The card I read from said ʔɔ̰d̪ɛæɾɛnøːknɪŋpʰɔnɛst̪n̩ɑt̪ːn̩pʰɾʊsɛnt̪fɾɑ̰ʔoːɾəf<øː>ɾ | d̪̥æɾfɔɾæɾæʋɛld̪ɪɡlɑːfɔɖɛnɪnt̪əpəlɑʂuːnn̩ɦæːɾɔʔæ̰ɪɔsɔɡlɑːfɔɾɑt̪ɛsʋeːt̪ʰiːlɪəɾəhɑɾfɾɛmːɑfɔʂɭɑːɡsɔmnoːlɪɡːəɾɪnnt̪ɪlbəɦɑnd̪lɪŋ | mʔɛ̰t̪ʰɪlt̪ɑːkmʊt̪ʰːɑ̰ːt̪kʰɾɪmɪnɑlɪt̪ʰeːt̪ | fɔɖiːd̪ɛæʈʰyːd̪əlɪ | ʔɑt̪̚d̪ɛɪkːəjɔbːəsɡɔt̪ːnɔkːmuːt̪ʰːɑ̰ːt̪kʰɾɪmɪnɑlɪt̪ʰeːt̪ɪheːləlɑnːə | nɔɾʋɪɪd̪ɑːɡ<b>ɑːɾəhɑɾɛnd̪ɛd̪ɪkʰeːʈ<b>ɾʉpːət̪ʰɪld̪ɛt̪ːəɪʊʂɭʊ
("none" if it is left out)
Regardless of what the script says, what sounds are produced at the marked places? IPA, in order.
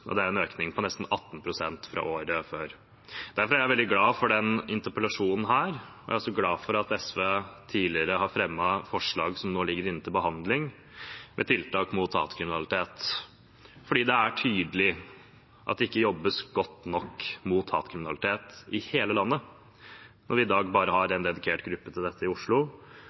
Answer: øː, b, ɡ

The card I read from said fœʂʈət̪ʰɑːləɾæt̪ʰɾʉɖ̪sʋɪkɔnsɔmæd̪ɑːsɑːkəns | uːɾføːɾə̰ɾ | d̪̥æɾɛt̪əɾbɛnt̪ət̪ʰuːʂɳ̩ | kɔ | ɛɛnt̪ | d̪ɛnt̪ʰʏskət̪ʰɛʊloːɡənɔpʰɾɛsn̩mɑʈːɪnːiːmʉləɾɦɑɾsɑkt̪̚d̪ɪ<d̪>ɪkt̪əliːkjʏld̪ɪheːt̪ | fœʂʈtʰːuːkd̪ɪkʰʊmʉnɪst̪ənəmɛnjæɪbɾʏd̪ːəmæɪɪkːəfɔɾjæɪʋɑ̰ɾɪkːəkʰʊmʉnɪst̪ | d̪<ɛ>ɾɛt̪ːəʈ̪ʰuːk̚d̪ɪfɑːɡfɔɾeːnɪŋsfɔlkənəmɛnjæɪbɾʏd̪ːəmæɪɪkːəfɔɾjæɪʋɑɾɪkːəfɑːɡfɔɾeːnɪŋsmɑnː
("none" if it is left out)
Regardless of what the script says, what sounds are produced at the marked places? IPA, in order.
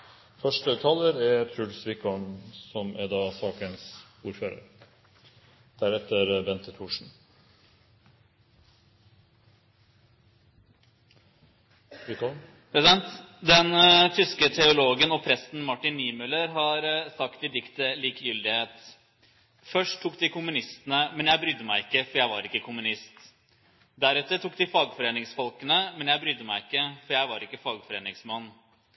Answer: d̪, æ

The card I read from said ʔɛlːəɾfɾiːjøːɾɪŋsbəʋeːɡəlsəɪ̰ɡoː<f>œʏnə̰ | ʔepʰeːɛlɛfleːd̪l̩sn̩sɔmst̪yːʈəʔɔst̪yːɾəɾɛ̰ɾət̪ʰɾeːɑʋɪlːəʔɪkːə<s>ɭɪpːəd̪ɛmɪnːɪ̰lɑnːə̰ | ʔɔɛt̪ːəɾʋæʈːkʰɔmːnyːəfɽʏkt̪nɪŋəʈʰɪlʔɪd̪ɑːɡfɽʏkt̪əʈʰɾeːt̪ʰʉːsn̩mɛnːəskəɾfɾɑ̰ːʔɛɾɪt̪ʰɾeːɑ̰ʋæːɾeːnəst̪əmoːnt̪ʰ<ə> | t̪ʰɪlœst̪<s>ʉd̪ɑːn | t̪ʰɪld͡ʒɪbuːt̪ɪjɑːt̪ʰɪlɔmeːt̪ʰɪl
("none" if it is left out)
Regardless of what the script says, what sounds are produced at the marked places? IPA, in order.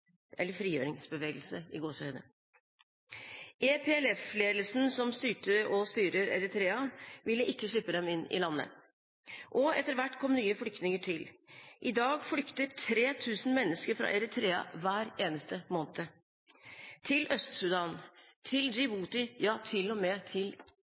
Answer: s, ʂ, ə, s

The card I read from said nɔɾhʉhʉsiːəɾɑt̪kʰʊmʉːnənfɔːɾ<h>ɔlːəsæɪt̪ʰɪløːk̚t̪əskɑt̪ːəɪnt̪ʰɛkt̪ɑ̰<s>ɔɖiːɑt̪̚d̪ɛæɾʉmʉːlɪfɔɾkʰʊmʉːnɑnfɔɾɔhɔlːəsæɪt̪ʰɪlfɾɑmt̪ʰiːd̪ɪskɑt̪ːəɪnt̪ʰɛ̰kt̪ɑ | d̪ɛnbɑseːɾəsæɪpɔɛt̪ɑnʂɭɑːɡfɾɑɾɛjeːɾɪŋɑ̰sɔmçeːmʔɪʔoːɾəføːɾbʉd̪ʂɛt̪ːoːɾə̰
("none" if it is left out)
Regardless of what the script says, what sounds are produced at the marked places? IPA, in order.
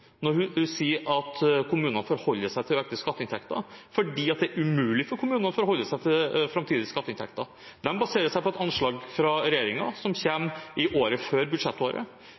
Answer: h, f

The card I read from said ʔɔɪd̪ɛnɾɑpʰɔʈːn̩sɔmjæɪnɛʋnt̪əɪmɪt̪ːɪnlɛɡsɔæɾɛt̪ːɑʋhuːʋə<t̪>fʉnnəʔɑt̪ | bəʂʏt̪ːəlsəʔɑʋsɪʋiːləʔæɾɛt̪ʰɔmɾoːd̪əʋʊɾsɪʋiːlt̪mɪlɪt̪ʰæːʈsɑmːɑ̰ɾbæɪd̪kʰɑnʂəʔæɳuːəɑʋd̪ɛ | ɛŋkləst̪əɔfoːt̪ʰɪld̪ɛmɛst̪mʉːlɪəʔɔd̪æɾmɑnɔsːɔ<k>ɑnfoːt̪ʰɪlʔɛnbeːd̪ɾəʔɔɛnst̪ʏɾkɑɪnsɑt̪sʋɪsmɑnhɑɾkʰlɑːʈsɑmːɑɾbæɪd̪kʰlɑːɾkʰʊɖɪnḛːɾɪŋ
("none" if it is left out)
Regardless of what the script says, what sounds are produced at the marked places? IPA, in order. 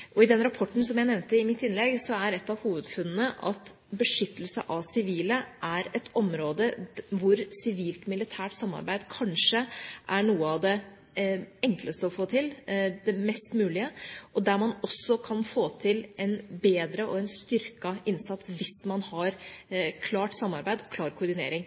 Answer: d̪, kʰ

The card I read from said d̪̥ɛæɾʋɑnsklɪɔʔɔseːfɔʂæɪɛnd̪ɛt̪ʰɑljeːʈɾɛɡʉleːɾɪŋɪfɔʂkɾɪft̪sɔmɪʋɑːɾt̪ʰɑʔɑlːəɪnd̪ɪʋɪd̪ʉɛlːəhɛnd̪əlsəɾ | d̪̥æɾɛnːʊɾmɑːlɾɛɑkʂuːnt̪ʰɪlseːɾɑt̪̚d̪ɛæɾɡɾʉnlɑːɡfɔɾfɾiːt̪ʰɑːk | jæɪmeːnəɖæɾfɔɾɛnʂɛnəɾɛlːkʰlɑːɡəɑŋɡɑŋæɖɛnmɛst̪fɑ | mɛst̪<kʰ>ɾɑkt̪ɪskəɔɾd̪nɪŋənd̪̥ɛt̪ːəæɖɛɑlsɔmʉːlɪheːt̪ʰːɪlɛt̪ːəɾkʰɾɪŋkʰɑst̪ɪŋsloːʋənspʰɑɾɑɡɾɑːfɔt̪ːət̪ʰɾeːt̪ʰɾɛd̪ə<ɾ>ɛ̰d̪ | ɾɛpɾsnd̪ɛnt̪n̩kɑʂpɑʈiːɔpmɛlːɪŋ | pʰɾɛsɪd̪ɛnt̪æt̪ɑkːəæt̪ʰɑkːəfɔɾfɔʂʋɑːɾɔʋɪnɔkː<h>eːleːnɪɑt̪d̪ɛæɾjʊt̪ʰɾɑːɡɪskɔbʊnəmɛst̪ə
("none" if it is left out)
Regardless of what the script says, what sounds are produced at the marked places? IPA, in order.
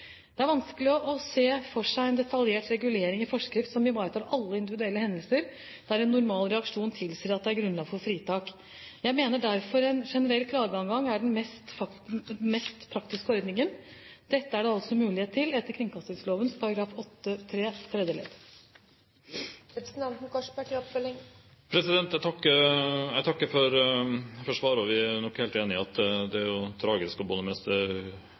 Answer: pʰ, l, h

